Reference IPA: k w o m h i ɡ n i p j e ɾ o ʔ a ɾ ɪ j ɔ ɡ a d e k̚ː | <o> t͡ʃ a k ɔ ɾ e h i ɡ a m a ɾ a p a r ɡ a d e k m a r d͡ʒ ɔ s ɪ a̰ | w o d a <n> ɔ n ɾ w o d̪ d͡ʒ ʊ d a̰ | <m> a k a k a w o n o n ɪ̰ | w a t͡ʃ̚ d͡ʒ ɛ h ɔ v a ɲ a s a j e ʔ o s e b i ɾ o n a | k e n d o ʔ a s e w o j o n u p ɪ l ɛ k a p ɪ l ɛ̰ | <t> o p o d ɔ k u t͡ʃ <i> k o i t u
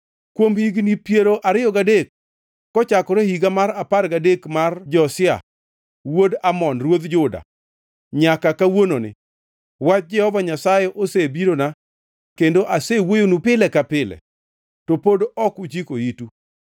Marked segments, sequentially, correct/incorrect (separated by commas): incorrect, incorrect, incorrect, correct, correct